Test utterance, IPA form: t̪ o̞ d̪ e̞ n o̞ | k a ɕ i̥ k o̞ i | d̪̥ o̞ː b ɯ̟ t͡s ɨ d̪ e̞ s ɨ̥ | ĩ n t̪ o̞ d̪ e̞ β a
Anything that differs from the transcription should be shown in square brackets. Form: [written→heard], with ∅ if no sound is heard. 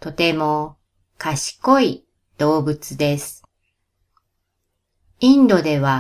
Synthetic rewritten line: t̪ o̞ [d̪→t̪] e̞ [n→m] o̞ | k a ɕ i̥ k o̞ i | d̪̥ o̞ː b ɯ̟ t͡s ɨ d̪ e̞ s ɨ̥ | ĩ n [t̪→d̪] o̞ d̪ e̞ β a